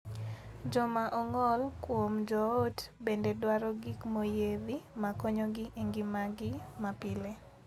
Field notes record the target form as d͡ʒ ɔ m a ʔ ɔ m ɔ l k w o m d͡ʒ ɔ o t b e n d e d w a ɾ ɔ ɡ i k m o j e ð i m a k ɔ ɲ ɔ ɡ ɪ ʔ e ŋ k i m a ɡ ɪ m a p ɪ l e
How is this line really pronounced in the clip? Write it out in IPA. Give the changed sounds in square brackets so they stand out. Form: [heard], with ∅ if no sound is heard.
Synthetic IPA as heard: d͡ʒ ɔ m a ʔ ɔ [ŋ] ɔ l k w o m d͡ʒ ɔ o t b e n d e d w a ɾ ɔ ɡ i k m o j e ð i m a k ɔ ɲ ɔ ɡ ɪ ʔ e ŋ [ɡ] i m a ɡ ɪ m a p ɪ l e